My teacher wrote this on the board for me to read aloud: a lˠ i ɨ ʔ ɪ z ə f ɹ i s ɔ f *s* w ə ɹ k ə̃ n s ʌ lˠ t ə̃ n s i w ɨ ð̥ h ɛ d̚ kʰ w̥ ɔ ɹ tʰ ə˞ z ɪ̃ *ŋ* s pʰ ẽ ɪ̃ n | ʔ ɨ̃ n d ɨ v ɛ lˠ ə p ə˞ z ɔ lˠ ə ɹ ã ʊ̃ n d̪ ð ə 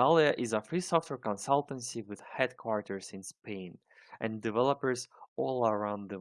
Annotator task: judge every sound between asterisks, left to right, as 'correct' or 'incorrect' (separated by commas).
incorrect, incorrect